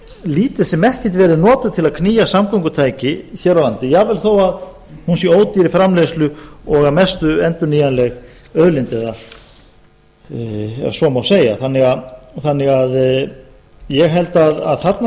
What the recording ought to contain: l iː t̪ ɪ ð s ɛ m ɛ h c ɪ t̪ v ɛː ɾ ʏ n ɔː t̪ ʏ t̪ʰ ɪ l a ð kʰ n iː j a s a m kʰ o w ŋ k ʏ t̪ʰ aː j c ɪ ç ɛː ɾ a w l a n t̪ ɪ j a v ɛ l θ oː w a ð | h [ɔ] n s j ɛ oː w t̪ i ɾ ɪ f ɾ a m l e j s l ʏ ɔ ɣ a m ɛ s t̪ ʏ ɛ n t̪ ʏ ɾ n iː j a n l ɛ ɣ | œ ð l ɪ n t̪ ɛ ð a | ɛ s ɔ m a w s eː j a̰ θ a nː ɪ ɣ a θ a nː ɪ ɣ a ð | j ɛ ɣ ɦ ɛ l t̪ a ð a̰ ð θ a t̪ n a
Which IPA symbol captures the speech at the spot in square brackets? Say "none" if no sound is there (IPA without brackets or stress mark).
u